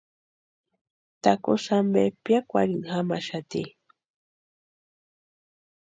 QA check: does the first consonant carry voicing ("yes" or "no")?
no